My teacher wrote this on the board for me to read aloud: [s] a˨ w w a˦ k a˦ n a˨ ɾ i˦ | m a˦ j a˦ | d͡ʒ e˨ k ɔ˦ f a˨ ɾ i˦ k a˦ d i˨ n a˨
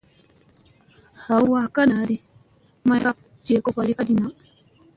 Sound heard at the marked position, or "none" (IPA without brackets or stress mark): h